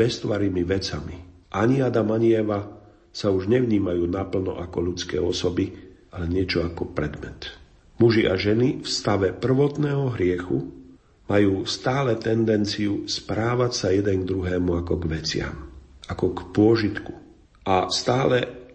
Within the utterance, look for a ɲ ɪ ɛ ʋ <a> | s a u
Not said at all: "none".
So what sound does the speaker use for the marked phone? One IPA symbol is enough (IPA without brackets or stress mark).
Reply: a